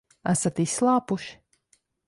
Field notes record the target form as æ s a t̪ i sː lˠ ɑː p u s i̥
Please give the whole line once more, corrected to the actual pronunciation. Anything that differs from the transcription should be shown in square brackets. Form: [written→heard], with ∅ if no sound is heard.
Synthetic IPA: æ s a t̪ i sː lˠ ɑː p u [s→ʃ] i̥